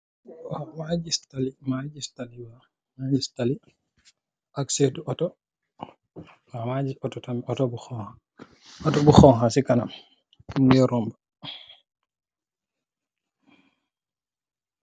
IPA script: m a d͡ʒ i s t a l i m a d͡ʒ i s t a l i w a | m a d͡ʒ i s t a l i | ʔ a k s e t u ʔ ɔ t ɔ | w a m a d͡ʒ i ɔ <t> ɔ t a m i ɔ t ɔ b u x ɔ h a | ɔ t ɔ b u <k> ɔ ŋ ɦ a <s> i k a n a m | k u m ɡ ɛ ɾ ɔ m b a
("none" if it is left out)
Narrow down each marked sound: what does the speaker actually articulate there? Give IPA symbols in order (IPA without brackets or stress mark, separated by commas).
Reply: t, x, s